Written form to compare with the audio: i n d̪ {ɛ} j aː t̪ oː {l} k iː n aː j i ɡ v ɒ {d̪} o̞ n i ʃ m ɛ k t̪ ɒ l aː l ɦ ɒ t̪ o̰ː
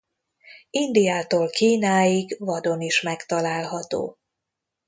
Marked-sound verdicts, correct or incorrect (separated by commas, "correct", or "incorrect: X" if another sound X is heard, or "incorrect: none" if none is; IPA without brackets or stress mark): incorrect: i, correct, correct